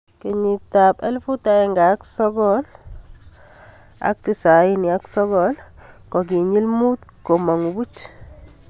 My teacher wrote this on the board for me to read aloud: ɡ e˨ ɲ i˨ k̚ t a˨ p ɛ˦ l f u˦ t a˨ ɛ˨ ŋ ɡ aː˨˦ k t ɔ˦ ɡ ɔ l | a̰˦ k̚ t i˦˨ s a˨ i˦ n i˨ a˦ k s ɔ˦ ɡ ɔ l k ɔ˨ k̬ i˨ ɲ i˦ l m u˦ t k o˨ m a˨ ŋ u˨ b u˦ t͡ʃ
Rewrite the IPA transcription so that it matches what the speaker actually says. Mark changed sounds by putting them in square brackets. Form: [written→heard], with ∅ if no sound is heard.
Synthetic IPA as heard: [ɡ→k] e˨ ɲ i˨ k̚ t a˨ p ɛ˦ l f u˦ t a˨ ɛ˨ ŋ ɡ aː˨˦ k [t→s] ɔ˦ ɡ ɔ l | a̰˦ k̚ t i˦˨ s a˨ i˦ n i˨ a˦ k s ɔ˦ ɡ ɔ l k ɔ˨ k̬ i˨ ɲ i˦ l m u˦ t k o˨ m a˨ ŋ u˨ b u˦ t͡ʃ